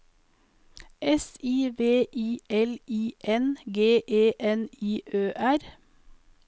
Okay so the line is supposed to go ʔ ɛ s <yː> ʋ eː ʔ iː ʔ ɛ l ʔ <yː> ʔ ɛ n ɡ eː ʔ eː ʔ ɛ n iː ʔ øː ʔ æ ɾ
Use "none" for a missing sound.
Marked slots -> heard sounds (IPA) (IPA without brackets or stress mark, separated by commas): iː, iː